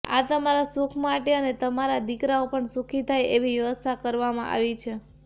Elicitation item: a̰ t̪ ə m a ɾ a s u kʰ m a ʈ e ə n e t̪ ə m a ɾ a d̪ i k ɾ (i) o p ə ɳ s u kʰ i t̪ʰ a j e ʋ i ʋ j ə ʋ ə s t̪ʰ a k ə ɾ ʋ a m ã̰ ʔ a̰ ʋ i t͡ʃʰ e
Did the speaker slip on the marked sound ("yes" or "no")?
yes